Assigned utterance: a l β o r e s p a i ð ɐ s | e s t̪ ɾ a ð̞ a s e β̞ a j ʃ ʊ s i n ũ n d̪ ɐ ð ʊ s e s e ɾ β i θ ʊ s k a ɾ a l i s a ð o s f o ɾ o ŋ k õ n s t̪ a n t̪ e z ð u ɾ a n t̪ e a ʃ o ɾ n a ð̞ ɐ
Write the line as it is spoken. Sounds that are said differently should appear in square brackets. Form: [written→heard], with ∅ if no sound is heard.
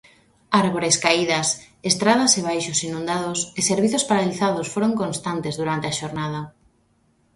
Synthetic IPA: a [l→ɾ] β o [r→ɾ] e s [p→k] a i ð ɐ s | e s t̪ ɾ a ð̞ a s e β̞ a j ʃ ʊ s i n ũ n d̪ [ɐ→a] ð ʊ s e s e ɾ β i θ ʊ s [k→p] a ɾ a l i [s→θ] a ð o s f o ɾ o ŋ k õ n s t̪ a n t̪ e z ð u ɾ a n t̪ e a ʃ o ɾ n a ð̞ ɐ